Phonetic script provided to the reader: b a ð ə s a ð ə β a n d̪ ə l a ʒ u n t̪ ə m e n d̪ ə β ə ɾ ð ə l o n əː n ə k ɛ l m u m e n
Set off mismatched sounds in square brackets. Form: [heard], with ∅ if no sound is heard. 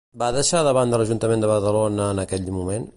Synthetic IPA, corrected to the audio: b a ð ə [ʃ] a ð ə β a n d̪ ə l [ə] ʒ u n t̪ ə m e n d̪ ə β ə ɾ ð ə l o n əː n ə k ɛ [ʎ] m u m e n